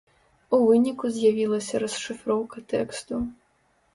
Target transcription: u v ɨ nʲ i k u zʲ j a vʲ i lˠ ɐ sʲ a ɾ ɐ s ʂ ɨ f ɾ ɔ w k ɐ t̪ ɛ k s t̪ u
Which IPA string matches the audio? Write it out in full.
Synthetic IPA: u v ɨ nʲ i k u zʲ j a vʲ i lˠ ɐ sʲ ɐ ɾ ɐ s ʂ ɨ f ɾ ɔ w k ɐ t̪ ɛ k s t̪ u